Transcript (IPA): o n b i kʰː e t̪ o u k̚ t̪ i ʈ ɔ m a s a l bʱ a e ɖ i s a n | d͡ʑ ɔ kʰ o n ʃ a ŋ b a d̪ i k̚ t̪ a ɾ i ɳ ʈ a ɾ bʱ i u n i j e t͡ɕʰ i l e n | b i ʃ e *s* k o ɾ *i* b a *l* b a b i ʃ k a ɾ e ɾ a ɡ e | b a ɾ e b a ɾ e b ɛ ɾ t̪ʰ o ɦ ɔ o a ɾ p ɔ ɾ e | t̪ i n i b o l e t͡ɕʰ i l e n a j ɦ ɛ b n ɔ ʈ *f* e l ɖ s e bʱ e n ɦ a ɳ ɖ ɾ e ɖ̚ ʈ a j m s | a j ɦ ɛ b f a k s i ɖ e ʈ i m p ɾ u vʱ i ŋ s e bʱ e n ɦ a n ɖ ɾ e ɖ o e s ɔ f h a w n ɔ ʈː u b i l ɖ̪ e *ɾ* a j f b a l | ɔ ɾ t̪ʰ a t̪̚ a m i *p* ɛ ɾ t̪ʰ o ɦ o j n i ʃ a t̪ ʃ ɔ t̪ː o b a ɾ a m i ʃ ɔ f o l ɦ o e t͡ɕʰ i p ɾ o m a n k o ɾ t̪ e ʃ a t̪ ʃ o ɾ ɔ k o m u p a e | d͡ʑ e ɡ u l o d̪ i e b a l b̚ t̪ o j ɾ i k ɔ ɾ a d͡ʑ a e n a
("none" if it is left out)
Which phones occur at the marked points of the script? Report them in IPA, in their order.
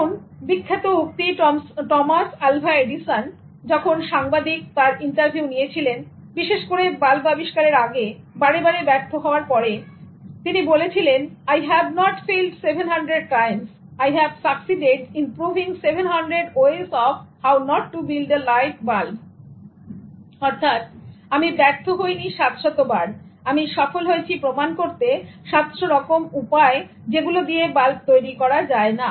ʃ, e, l, f, l, b

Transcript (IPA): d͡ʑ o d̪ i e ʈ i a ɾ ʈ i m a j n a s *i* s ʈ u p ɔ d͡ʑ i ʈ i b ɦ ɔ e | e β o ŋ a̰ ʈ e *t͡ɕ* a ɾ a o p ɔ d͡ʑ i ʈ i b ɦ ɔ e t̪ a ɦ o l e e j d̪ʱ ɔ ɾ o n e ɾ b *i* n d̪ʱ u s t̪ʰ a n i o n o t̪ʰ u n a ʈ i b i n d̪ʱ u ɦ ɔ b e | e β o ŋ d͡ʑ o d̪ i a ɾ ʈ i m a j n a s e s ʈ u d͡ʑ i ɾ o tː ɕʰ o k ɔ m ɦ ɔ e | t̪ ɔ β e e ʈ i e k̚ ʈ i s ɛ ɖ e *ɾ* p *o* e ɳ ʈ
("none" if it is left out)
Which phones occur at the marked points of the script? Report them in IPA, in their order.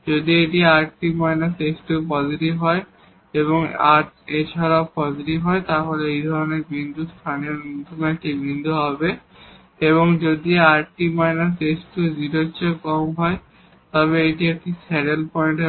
e, t͡ɕʰ, i, l, ɔ

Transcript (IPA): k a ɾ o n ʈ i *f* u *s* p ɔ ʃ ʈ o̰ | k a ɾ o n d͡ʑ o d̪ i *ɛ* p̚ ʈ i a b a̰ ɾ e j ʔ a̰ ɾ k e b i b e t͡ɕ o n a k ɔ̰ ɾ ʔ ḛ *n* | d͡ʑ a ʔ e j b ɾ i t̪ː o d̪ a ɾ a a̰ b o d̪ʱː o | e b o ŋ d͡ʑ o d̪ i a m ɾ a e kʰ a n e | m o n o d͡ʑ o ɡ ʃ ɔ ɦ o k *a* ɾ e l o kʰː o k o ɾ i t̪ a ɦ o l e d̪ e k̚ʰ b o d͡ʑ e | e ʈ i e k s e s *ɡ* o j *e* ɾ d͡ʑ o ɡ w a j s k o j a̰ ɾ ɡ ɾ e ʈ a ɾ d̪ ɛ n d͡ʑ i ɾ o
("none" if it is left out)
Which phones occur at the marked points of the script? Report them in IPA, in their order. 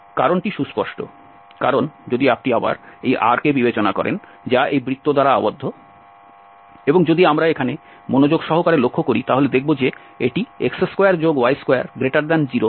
ʃ, s, a, n, a, k, a

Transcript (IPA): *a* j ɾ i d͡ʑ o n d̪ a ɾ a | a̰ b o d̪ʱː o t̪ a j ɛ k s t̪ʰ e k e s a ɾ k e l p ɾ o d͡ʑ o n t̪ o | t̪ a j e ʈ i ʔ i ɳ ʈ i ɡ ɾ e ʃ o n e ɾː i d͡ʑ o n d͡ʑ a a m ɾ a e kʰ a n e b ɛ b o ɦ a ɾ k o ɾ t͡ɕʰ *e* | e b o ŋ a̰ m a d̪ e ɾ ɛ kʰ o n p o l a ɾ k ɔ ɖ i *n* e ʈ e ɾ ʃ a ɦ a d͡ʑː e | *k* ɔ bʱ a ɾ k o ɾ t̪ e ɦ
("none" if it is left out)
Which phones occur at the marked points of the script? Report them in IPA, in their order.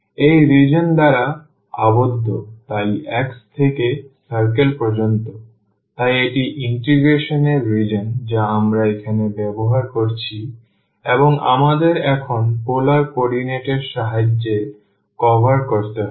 e, i, n, k

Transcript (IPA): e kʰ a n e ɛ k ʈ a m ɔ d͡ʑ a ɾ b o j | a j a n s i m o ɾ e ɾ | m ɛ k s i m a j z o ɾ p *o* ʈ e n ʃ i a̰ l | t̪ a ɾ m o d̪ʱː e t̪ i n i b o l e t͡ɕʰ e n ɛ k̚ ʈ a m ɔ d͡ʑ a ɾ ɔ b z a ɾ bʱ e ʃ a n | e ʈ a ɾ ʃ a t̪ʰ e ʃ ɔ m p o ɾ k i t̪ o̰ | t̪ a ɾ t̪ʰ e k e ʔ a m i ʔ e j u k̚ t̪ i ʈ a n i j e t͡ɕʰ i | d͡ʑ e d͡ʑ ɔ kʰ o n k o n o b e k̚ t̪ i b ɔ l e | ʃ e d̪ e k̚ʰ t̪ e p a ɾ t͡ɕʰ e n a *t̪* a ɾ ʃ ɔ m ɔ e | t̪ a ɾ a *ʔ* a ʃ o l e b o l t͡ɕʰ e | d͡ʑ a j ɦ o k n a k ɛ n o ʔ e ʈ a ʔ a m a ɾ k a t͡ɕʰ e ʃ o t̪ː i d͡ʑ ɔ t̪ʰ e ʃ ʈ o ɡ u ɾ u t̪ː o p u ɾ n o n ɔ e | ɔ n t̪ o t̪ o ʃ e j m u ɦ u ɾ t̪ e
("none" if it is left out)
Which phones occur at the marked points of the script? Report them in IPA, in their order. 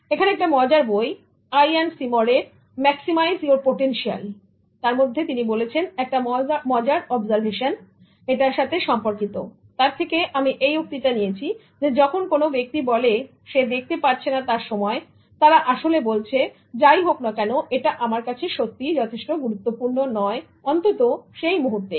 o, t̪, ʔ

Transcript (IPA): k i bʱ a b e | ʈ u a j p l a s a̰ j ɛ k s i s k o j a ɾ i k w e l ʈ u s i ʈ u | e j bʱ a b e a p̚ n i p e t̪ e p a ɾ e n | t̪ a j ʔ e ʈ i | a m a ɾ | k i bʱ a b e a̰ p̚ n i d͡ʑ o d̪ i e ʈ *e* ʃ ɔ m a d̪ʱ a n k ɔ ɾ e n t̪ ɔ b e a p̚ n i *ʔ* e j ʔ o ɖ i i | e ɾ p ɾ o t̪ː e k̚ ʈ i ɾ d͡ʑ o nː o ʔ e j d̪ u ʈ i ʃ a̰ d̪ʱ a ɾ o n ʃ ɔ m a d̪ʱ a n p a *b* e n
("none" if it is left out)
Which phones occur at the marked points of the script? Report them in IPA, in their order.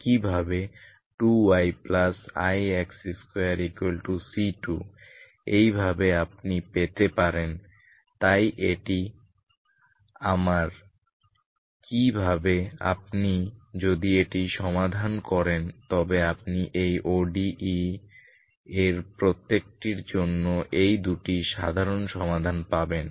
i, ʔ, b

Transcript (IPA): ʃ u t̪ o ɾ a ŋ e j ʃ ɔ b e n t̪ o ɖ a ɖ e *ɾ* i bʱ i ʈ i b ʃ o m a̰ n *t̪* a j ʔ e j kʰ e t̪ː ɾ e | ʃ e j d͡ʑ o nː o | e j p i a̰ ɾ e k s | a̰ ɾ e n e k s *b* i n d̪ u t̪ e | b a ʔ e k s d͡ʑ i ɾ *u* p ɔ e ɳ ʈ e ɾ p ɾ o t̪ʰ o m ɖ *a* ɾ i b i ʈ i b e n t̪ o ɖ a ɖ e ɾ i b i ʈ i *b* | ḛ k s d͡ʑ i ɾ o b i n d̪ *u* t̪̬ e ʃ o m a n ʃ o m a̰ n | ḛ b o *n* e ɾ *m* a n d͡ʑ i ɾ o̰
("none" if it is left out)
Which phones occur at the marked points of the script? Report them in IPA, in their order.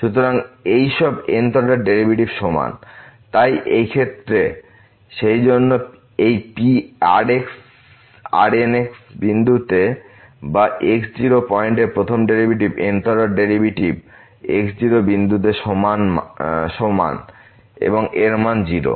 ɾ, t̪, b, o, e, b, u, ŋ, m

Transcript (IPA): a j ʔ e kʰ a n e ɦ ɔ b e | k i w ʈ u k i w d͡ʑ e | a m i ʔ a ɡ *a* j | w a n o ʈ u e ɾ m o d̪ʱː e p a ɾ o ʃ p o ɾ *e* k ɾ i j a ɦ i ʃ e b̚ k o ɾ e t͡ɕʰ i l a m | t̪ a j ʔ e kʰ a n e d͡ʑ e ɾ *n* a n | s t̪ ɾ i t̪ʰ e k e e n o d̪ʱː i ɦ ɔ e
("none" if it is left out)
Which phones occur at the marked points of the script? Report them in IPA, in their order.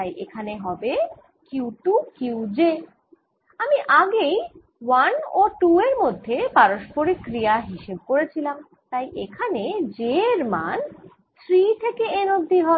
e, i, m

